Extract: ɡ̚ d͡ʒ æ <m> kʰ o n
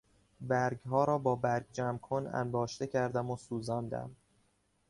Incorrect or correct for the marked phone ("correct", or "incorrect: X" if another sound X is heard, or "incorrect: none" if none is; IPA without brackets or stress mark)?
correct